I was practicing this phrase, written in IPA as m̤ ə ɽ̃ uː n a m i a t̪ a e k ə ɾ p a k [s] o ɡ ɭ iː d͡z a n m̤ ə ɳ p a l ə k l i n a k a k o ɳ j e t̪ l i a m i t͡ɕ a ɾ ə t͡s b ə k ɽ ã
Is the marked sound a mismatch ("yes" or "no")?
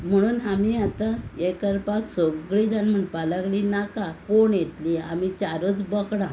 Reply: no